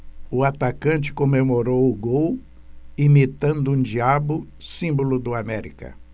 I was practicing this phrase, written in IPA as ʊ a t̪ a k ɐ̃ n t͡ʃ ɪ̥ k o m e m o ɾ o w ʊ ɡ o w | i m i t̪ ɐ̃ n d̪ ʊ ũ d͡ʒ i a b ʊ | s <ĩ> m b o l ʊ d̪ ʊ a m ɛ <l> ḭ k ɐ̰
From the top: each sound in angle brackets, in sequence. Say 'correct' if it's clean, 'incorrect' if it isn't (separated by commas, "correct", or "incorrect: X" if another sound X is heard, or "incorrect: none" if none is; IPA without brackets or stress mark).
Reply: correct, incorrect: ɾ